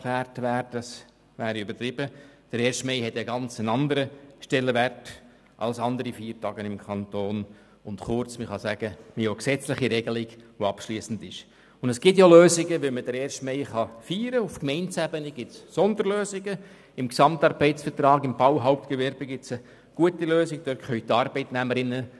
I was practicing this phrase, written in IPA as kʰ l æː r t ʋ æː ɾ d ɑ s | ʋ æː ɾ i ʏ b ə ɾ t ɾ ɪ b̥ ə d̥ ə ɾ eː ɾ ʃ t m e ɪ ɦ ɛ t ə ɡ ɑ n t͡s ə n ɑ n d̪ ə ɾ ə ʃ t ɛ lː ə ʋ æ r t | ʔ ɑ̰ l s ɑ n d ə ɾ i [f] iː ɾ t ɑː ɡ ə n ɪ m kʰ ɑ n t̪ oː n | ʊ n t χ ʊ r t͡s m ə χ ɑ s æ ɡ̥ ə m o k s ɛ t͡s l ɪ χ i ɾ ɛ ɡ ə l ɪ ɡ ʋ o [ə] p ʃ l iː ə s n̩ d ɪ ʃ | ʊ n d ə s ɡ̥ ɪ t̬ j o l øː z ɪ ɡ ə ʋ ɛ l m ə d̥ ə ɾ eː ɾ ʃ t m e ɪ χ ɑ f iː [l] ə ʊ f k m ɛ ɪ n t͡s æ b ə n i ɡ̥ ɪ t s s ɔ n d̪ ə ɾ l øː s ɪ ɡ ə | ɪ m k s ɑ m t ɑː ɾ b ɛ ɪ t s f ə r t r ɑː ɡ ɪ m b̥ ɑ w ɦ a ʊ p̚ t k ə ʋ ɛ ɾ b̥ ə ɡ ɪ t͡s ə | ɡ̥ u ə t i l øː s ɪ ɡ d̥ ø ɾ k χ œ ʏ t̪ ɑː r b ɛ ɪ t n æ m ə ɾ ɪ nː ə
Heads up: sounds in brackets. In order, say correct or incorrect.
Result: correct, incorrect: ɑ, incorrect: ɾ

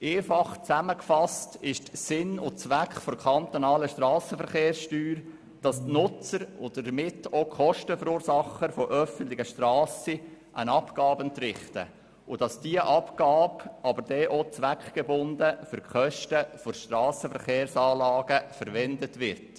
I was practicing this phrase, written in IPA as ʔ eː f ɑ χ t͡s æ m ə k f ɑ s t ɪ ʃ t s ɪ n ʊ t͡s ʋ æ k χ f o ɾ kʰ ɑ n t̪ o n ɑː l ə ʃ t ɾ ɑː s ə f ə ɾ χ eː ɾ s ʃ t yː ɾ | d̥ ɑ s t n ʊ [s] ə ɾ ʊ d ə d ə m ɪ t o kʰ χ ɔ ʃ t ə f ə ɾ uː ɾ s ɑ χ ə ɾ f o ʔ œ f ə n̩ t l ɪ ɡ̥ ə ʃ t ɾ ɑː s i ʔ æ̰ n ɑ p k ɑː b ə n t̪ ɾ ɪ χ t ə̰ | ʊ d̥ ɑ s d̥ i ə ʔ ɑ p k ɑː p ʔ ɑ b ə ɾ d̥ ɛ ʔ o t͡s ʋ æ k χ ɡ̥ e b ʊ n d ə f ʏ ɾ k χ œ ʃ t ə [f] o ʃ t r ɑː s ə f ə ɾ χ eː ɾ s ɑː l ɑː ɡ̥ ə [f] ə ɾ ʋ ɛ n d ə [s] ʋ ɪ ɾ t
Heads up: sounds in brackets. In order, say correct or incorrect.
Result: incorrect: t͡s, correct, correct, incorrect: t

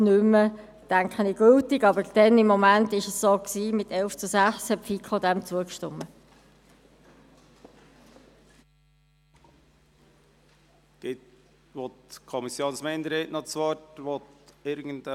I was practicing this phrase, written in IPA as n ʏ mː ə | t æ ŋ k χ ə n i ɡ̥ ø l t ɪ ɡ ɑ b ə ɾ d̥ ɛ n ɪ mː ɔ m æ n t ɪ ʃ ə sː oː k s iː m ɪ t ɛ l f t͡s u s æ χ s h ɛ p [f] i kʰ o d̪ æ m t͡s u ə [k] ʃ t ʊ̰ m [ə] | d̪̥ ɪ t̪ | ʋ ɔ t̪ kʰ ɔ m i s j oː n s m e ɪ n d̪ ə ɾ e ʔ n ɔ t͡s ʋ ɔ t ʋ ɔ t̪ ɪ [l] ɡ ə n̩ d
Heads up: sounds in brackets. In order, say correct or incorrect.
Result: correct, correct, correct, incorrect: ɾ

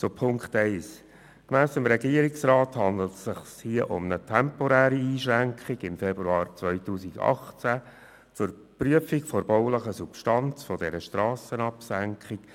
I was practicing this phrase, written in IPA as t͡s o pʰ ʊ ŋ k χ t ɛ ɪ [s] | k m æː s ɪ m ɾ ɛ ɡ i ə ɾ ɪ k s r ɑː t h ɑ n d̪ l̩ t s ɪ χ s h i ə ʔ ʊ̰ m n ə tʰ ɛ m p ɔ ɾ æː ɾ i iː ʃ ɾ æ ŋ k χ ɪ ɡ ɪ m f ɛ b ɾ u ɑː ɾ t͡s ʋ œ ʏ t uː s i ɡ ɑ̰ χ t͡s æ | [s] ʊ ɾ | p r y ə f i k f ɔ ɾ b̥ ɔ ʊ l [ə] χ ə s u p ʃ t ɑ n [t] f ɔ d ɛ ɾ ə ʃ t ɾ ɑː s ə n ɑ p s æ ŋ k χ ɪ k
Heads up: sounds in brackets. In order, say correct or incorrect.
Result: correct, incorrect: t͡s, correct, incorrect: t͡s

